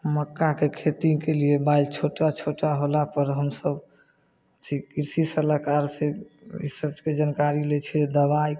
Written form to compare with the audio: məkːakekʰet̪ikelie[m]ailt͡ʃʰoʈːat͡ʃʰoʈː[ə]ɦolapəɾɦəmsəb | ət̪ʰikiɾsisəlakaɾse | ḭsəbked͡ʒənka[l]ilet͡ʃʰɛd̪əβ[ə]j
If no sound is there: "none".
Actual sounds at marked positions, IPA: b, a, ɾ, a

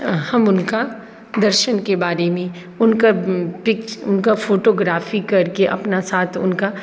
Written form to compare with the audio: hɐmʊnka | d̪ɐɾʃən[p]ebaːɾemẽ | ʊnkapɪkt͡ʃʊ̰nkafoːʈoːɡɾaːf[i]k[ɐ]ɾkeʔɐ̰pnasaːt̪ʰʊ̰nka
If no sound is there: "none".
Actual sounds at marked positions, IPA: k, i, ɐ

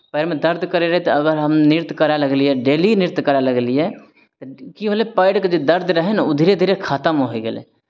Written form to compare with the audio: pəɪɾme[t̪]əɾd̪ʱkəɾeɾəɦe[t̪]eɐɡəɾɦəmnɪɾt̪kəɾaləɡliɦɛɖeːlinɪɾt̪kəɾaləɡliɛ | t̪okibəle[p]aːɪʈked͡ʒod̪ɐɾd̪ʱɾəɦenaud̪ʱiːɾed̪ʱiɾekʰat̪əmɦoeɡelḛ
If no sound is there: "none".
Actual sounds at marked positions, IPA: d̪, t̪, p

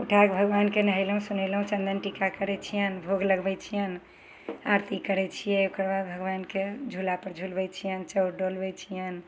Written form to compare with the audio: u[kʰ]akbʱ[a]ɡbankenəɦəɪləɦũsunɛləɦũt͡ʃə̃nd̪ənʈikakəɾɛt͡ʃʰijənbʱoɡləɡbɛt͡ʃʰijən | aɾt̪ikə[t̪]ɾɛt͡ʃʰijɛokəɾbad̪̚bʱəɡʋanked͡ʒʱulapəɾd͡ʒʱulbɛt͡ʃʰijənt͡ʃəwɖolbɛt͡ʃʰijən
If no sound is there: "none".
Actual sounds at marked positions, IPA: ʈʰ, ə, none

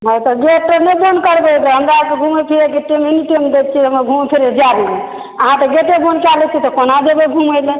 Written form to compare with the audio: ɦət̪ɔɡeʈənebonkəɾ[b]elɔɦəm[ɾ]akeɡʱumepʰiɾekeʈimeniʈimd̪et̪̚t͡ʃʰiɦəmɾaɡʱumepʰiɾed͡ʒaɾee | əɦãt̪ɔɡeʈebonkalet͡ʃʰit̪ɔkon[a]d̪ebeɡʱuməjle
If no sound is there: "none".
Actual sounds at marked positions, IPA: b, ɾ, a

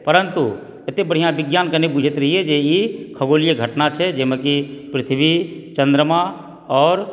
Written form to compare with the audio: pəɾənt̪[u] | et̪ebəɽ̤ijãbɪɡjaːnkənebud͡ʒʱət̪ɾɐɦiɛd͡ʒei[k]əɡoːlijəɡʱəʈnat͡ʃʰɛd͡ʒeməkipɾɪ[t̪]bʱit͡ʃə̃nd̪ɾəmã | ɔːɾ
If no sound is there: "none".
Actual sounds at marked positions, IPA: u, kʰ, t̪ʰ

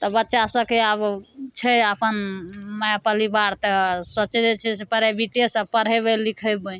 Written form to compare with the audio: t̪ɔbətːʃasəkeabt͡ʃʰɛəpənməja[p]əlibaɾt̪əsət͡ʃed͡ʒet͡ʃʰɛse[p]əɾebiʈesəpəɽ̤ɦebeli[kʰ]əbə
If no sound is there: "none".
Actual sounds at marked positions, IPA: p, p, kʰ

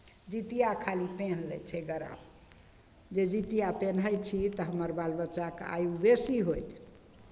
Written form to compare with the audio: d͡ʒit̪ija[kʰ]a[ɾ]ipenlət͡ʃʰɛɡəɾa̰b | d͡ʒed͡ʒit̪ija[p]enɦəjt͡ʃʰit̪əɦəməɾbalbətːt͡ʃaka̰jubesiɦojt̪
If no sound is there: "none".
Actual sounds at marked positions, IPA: kʰ, l, p

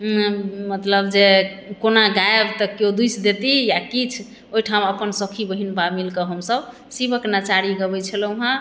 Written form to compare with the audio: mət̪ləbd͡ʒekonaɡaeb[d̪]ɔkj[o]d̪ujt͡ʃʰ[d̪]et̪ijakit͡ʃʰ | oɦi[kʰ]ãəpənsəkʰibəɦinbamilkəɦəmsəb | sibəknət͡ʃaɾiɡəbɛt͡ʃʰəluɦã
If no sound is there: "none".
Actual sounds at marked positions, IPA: t̪, o, d̪, ʈʰ

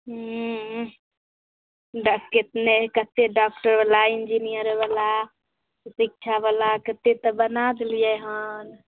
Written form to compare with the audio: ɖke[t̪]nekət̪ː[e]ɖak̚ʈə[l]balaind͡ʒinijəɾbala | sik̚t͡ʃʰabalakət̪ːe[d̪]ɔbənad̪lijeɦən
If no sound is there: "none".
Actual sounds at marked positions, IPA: t̪, e, ɾ, t̪

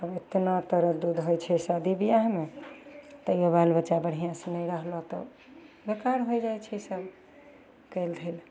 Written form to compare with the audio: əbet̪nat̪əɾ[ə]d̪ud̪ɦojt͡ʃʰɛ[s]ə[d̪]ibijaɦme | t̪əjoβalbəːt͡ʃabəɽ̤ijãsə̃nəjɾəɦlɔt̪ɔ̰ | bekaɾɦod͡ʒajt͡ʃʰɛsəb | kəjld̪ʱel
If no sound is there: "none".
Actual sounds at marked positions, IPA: ə, s, d̪

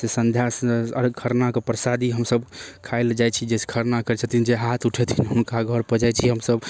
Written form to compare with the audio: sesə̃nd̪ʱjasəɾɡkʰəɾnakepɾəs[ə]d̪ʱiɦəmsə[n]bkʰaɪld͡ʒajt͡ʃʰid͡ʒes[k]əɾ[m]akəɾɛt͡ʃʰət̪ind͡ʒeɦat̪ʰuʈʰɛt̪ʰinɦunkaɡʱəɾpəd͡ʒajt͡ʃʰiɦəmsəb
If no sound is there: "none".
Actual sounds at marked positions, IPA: a, none, kʰ, n

